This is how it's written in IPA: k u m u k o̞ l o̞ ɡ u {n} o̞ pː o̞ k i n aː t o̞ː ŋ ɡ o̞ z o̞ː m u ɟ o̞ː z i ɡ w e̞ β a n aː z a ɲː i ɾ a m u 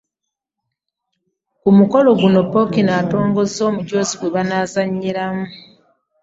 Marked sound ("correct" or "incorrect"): correct